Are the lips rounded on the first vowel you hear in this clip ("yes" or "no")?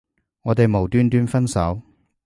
yes